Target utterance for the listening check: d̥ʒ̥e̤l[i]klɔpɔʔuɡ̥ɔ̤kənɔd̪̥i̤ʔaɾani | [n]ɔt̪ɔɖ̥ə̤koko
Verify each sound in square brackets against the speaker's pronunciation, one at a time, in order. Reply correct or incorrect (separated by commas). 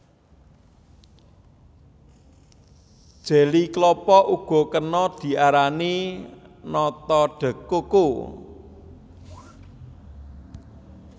correct, correct